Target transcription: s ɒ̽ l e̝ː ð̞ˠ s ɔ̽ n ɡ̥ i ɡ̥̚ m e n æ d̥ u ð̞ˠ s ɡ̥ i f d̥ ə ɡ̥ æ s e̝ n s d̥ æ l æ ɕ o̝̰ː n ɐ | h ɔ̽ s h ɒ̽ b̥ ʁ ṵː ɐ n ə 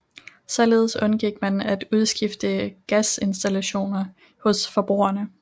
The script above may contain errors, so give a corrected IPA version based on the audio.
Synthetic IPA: s ɒ̽ l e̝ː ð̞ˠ s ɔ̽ n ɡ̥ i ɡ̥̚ m æ n æ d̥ u ð̞ˠ s ɡ̥ i f d̥ ə ɡ̥ æ s e̝ n s d̥ æ l æ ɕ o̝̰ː n ɐ | h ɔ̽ s f ɒ̽ b̥ ʁ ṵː ɐ n ə